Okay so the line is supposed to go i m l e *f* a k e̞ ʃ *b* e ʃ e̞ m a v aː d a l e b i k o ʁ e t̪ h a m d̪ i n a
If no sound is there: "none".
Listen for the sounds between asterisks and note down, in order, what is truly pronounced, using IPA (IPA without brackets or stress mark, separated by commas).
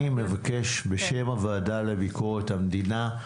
v, b